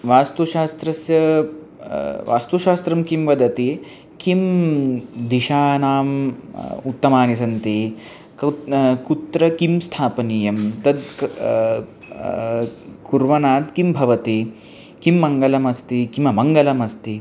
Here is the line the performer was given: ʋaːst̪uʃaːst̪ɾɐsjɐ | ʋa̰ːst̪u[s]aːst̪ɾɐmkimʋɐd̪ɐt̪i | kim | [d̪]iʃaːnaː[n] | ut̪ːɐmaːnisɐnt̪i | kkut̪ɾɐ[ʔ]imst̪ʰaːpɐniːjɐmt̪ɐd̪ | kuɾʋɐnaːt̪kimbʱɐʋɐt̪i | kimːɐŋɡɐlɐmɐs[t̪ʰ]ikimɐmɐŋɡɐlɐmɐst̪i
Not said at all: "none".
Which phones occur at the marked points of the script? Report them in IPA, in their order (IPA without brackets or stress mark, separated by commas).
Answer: ʃ, d̪, m, k, t̪